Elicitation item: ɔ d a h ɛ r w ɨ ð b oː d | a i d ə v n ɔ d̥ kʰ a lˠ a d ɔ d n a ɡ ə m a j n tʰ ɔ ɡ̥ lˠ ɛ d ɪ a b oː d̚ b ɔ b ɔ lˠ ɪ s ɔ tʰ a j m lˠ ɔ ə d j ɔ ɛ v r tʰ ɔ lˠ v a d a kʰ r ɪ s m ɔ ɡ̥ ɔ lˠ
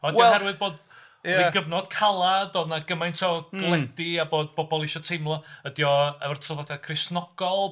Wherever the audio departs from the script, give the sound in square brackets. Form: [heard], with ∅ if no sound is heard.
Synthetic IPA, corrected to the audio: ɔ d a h ɛ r w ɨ ð b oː d | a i [ɡ] ə v n ɔ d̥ kʰ a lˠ a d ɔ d n a ɡ ə m a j n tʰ ɔ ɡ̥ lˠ ɛ d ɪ a b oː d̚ b ɔ b ɔ lˠ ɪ [ʃ] ɔ tʰ [e] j m lˠ ɔ ə d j ɔ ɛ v r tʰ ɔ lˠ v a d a kʰ r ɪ s [n] ɔ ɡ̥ ɔ lˠ

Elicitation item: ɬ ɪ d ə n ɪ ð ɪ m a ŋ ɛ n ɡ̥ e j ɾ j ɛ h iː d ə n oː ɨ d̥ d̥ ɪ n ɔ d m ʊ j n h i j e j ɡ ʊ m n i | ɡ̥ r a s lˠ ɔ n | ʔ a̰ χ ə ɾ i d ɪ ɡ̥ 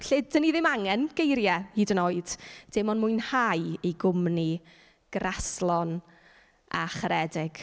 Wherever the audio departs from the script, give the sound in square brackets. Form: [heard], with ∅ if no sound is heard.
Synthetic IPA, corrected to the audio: ɬ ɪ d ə n [i] ð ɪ m a ŋ ɛ n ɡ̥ e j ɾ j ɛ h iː d ə n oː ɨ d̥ d̥ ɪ [m] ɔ [n] m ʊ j n h [a] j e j ɡ ʊ m n i | ɡ̥ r a s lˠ ɔ n | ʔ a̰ χ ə ɾ [ɛ] d ɪ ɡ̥

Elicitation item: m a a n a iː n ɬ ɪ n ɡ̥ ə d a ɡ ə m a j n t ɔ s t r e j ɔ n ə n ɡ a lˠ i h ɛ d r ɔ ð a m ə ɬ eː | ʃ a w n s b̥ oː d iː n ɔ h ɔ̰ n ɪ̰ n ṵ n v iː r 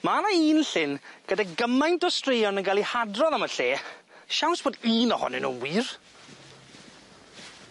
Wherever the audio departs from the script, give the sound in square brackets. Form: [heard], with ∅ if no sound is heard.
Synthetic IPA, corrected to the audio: m a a n a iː n ɬ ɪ n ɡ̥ ə d a ɡ ə m a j n t ɔ s t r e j ɔ n ə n ɡ a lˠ i h [a] d r ɔ ð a m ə ɬ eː | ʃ a w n s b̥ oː d iː n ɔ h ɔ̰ n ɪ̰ n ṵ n [w] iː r

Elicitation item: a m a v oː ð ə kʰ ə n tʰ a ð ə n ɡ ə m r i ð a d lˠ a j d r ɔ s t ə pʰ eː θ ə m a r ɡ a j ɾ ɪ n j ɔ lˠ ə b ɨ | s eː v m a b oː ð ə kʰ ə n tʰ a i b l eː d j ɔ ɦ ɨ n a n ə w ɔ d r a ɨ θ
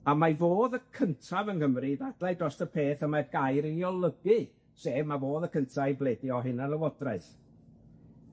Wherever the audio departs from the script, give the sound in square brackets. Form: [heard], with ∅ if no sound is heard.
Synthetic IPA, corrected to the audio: a m a v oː ð ə kʰ ə n tʰ a [v] ə n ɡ ə m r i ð a d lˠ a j d r ɔ s t ə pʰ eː θ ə m a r ɡ a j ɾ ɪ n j ɔ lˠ ə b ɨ | s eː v m a [v] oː ð ə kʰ ə n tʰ a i b l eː d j ɔ ɦ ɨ n a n ə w ɔ d r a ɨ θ

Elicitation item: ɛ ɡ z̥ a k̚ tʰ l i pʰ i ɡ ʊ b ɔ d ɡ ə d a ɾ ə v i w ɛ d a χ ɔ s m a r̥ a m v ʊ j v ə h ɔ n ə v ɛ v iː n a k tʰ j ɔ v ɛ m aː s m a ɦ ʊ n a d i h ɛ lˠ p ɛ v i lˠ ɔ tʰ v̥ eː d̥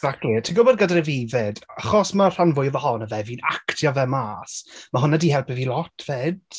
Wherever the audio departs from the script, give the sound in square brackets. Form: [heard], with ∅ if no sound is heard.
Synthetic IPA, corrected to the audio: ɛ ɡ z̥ a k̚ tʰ l i [tʰ] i ɡ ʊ b ɔ d ɡ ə d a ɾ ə v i [v] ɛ d a χ ɔ s m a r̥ a [n] v ʊ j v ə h ɔ n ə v ɛ v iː n a k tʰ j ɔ v ɛ m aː s m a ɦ ʊ n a d i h ɛ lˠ p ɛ v i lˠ ɔ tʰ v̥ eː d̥

